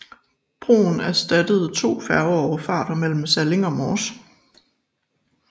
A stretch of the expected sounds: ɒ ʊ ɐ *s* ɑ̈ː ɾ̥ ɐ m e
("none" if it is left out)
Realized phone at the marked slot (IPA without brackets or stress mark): f